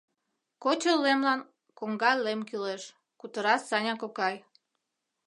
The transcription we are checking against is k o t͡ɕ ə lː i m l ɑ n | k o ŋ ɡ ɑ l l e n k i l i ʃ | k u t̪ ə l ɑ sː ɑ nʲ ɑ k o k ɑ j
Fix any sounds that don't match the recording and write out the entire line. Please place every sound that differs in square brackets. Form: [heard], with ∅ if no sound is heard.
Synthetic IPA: k o t͡ɕ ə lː [e] m l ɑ n | k o ŋ ɡ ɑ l l e [m] k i l [e] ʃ | k u t̪ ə [ɾ] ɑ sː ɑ nʲ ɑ k o k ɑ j